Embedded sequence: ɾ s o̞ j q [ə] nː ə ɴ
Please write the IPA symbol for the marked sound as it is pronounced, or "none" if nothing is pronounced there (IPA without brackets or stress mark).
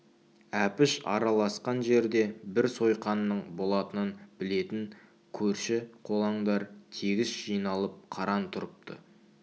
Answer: ɑ